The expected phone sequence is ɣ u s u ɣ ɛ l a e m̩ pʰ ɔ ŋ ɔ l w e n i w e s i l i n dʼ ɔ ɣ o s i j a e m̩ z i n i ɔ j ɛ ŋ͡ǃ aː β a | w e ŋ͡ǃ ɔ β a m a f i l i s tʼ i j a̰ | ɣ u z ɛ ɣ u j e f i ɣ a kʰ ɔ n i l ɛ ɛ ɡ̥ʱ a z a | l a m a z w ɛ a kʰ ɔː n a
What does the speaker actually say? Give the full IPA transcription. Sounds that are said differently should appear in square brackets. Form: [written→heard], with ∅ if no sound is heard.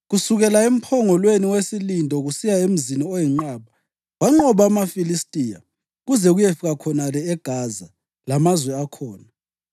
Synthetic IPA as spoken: ɣ u s u ɣ ɛ l a e m̩ pʰ ɔ ŋ ɔ l w e n i w e s i l i n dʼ ɔ ɣ [o→u] s i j a e m̩ z i n i ɔ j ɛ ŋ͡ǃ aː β a | w [e→a] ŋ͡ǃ ɔ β a m a f i l i s tʼ i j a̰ | ɣ u z ɛ ɣ u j e f i ɣ a kʰ ɔ n [i→a] l ɛ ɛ ɡ̥ʱ a z a | l a m a z w ɛ a kʰ ɔː n a